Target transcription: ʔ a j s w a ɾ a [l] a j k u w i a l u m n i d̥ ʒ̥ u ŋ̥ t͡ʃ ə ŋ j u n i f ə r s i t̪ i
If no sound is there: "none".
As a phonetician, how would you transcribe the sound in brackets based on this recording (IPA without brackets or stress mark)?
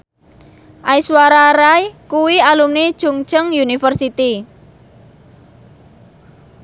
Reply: ɾ